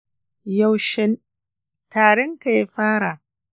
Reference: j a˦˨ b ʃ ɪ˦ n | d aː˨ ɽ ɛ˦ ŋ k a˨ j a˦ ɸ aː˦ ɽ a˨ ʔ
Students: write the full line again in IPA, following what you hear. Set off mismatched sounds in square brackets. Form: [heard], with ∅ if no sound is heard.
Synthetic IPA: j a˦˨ [w] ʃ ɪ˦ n | [t] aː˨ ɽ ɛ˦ ŋ k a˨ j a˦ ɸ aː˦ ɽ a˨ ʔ